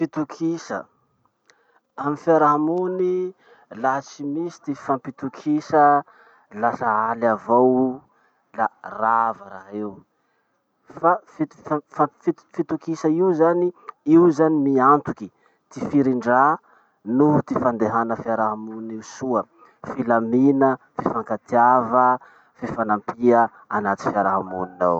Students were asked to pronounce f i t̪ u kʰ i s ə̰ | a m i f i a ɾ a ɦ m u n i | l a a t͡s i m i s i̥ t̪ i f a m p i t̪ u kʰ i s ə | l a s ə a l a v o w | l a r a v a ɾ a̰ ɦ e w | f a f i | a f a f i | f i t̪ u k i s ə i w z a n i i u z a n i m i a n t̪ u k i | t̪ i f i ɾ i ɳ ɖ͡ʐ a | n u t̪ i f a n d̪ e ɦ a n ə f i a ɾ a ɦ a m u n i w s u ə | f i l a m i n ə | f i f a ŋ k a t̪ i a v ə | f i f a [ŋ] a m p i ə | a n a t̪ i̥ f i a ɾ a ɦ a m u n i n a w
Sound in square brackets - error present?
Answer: yes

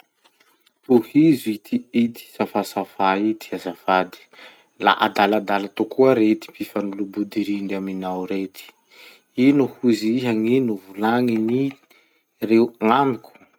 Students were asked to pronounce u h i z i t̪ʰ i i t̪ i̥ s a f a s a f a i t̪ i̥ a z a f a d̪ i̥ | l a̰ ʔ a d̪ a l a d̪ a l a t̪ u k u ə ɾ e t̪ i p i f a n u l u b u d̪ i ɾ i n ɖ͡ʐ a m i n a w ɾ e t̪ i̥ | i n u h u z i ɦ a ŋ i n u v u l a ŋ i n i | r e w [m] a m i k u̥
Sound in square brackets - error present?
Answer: yes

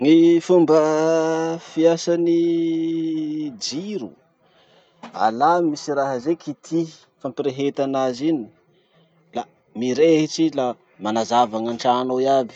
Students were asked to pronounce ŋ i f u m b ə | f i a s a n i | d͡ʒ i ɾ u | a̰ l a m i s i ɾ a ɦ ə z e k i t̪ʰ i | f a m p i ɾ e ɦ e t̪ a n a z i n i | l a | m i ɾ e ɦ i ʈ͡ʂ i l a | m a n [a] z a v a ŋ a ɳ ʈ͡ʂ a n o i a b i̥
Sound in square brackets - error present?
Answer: no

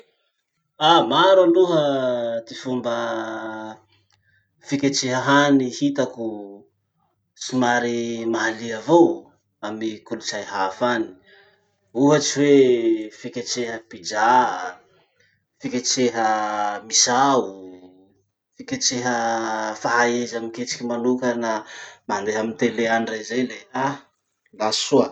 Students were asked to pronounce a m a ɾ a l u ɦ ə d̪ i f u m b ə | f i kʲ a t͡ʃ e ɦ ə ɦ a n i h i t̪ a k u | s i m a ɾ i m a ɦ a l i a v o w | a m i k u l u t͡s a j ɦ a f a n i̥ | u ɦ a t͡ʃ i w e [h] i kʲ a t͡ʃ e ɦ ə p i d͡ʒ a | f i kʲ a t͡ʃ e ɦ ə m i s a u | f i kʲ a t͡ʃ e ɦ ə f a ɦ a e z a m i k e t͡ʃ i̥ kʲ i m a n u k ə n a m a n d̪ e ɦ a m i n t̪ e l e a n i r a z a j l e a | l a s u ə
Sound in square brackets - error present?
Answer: yes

